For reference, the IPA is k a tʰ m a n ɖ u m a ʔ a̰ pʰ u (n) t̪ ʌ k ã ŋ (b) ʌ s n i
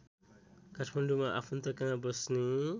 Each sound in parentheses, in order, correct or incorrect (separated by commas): correct, correct